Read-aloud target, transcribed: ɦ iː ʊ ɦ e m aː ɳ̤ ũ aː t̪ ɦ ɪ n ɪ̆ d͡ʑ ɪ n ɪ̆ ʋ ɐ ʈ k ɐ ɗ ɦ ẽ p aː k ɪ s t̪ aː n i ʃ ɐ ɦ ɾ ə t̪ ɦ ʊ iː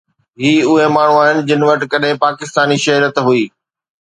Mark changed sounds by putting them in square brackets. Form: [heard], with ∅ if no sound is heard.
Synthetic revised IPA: ɦ iː ʊ ɦ e m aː ɳ̤ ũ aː [∅] ɦ ɪ n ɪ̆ d͡ʑ ɪ n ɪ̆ ʋ ɐ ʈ k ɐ ɗ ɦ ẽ p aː k ɪ s t̪ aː n i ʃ ɐ ɦ ɾ ə t̪ ɦ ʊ iː